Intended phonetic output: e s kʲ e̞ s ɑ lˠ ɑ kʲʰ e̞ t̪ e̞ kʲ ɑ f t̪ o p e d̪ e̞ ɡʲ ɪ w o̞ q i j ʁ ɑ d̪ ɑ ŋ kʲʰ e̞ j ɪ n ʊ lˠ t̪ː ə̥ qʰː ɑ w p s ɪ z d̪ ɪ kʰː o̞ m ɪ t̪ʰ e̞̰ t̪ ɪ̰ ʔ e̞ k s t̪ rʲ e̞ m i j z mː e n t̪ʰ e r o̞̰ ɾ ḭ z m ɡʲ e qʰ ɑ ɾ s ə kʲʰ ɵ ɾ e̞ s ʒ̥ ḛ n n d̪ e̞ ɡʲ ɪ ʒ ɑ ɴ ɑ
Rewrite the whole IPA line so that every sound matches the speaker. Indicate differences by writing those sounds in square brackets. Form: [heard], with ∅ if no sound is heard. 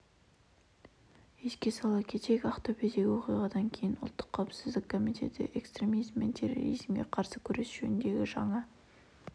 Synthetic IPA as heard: e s kʲ e̞ s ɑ lˠ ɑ kʲʰ e̞ t̪ e̞ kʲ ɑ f t̪ o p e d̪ e̞ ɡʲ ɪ w o̞ q i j ʁ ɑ d̪ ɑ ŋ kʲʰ e̞ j ɪ n ʊ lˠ t̪ː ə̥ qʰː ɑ w p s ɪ z d̪ ɪ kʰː o̞ m [i] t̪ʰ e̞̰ t̪ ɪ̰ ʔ e̞ k s t̪ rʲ e̞ m i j z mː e n t̪ʰ e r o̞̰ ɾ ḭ z m ɡʲ e qʰ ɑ ɾ s ə kʲʰ ɵ ɾ e̞ s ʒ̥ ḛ n n d̪ e̞ ɡʲ ɪ ʒ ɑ ɴ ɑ